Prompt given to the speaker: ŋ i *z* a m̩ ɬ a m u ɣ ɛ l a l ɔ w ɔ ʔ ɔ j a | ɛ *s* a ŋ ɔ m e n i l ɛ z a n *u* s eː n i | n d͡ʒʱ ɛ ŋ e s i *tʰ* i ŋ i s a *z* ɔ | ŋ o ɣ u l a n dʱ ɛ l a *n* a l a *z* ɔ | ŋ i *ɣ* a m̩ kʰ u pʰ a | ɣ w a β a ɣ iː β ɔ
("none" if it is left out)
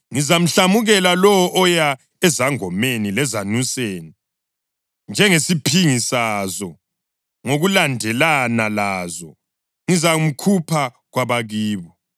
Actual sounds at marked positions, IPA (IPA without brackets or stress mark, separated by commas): z, z, u, pʰ, z, n, z, z